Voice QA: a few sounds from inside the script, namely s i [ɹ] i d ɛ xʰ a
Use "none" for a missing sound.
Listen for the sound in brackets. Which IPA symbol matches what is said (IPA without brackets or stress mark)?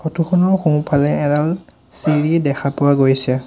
ɹ